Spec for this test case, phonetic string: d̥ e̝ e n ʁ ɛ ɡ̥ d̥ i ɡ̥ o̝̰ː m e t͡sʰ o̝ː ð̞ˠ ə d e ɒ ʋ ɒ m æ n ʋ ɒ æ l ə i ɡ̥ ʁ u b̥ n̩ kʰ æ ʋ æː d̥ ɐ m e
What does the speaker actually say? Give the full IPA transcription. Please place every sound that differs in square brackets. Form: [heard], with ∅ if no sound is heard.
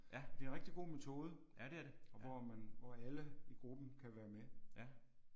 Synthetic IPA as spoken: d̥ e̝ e n ʁ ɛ ɡ̥ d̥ i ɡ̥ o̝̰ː m e t͡sʰ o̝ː ð̞ˠ ə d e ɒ ʋ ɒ m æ n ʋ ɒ æ l ə i ɡ̥ ʁ u b̥ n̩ kʰ æ ʋ æː [∅] ɐ m e